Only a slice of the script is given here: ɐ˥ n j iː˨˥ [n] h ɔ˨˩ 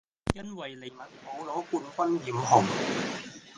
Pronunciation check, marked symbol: incorrect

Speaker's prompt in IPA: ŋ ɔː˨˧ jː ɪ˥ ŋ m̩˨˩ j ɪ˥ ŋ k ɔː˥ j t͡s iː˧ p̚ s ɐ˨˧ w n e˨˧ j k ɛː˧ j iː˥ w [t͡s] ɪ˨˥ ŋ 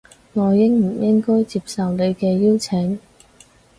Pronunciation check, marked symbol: incorrect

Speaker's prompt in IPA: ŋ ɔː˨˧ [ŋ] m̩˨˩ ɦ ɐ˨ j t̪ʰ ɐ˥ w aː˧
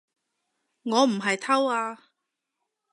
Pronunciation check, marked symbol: incorrect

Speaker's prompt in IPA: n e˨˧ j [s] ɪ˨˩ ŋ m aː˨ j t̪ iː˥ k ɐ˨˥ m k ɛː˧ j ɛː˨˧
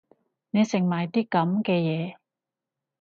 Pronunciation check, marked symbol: correct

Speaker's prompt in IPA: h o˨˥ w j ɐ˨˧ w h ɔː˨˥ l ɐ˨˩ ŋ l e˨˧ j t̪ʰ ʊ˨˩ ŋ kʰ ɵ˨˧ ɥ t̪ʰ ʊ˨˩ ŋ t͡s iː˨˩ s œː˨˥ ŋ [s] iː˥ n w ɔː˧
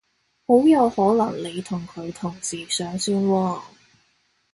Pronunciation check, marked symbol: correct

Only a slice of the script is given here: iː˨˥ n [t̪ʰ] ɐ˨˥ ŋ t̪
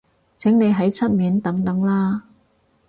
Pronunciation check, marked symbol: incorrect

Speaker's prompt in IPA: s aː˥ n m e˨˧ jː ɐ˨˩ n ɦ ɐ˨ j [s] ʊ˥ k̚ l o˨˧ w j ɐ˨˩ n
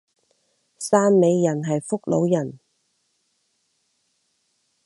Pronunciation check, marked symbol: incorrect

